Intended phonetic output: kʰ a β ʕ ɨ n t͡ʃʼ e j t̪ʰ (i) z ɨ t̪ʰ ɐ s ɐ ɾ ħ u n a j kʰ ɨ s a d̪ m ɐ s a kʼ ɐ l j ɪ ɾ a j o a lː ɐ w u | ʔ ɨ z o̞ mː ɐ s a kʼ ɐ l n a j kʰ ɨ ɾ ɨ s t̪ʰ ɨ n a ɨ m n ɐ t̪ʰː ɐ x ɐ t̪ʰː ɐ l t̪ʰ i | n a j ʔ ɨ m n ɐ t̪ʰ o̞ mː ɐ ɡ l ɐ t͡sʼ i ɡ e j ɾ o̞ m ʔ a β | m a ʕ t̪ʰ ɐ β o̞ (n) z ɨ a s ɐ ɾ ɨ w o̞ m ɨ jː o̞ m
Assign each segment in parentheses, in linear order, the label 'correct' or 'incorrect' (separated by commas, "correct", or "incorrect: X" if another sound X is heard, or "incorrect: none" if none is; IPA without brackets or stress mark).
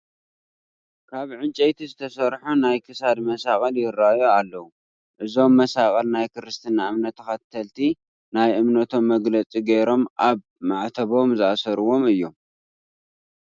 correct, incorrect: m